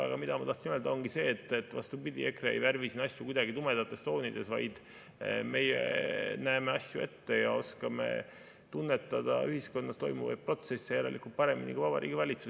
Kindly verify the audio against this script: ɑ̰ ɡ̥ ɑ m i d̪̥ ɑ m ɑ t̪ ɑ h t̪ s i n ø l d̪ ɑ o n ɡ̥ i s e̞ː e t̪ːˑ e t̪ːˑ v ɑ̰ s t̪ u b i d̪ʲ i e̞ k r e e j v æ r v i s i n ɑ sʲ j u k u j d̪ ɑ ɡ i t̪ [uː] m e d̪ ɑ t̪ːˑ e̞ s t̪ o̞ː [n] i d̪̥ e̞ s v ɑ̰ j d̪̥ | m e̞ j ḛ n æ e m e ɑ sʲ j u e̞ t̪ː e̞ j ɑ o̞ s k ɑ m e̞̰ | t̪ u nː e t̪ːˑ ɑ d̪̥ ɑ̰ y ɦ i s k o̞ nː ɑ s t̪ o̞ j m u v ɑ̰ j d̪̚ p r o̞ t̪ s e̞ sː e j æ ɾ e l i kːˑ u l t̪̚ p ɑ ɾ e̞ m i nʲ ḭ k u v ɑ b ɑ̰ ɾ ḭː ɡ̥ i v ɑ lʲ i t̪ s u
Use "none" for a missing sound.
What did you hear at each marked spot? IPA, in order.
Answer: u, n

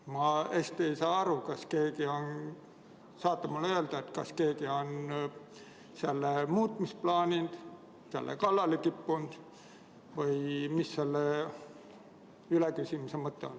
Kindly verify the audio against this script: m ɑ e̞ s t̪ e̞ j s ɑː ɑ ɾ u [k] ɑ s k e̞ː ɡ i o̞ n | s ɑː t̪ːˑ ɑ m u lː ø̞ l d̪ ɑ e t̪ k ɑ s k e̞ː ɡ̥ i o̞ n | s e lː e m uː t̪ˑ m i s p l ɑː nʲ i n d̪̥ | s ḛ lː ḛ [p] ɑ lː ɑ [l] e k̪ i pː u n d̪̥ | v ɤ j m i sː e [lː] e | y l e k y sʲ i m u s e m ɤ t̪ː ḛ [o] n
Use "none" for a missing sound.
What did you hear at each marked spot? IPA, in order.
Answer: k, k, l, lː, o

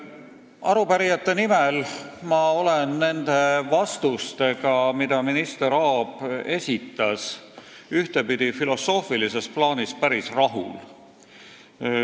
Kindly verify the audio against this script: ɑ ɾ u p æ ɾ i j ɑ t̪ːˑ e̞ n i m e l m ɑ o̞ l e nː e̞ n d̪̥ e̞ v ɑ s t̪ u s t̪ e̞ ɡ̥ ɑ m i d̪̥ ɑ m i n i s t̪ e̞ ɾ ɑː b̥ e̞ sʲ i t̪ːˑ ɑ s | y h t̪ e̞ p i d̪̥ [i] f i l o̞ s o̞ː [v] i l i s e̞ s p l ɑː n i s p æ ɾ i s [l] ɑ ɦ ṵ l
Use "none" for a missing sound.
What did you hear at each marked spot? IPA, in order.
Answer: i, f, r

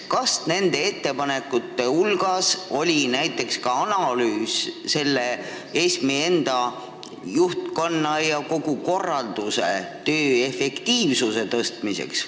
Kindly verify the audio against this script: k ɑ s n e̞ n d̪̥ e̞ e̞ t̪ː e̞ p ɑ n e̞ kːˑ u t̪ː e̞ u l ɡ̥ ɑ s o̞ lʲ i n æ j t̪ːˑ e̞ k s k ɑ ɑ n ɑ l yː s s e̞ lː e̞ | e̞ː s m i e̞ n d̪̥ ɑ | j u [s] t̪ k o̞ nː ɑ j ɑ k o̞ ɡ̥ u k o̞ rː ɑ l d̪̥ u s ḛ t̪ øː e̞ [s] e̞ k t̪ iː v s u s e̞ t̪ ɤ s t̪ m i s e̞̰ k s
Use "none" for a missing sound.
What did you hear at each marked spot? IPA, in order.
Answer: h, f

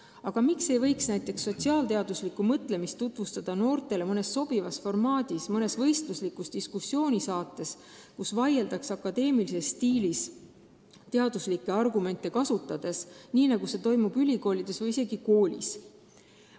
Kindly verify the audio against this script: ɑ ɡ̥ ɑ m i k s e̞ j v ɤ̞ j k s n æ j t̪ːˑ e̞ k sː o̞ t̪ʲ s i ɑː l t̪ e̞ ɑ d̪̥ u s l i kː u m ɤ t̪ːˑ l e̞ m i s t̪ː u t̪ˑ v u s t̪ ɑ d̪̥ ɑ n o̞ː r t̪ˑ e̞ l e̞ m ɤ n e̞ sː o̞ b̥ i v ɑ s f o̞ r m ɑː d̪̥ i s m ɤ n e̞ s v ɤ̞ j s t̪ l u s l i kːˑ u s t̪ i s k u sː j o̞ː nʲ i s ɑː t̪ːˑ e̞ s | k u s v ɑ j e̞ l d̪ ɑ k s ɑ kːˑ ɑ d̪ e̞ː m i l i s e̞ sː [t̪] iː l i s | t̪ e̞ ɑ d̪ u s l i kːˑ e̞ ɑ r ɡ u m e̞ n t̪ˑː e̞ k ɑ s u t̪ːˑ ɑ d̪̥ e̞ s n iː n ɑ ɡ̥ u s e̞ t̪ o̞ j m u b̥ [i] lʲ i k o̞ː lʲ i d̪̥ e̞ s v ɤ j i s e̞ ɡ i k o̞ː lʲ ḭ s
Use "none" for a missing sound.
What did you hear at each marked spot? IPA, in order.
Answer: t̪, y

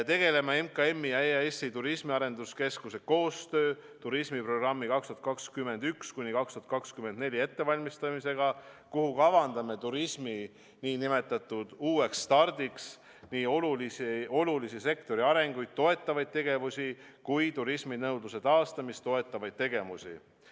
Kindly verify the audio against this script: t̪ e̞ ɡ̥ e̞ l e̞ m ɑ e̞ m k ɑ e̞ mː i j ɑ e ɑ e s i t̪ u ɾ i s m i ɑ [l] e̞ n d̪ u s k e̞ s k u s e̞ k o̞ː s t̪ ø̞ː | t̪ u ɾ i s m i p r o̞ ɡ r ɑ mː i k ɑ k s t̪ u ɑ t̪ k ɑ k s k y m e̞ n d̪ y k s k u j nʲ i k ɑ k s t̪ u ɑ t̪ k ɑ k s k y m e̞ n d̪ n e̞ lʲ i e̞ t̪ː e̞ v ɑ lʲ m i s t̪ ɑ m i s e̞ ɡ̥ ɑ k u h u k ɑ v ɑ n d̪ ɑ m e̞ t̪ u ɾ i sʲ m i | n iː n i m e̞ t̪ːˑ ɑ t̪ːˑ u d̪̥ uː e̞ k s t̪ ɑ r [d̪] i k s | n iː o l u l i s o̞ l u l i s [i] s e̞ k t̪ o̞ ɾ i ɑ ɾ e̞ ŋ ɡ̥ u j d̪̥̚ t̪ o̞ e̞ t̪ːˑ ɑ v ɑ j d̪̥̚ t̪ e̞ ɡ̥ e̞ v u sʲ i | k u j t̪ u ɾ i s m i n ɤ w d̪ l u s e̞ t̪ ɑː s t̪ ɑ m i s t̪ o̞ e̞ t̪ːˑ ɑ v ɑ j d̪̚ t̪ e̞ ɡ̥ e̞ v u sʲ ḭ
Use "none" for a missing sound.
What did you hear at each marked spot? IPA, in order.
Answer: ɾ, d̪, i

